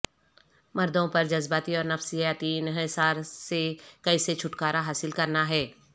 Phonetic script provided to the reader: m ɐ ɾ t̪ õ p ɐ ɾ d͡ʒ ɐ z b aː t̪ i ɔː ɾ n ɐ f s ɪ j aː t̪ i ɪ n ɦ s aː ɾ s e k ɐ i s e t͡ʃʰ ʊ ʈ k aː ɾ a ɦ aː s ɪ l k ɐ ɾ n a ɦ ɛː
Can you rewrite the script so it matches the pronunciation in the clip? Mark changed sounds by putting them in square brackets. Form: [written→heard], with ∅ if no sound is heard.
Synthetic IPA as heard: m ɐ ɾ [t̪→d̪] õ p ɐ ɾ d͡ʒ ɐ z b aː t̪ i ɔː ɾ n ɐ f s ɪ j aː t̪ i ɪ n ɦ s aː ɾ s e k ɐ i s e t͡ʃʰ ʊ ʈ k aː ɾ a ɦ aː s ɪ l k ɐ ɾ n a ɦ ɛː